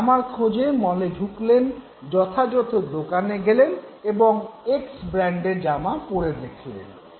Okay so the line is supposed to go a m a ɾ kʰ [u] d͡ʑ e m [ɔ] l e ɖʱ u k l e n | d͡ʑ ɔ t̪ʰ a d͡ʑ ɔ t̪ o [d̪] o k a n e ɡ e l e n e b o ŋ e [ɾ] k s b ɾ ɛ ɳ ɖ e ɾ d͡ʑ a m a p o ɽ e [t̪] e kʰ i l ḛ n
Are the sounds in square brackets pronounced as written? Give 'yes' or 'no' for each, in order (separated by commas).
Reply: no, yes, yes, no, no